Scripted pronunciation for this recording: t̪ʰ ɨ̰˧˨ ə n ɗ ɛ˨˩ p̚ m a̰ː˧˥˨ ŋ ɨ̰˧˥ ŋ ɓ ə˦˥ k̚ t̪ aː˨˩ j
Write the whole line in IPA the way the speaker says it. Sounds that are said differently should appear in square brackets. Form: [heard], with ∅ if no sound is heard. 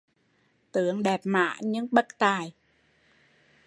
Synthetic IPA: [t̪] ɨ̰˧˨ ə [ŋ] ɗ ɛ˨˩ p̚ m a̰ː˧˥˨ [ɲ] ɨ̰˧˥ ŋ ɓ ə˦˥ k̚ t̪ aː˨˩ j